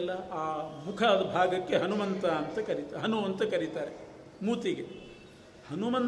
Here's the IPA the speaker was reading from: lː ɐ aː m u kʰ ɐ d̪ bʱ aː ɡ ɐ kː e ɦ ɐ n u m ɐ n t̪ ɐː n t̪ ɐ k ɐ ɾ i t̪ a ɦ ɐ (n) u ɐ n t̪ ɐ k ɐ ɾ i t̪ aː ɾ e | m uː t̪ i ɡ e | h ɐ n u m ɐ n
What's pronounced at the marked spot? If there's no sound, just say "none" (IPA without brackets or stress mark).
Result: n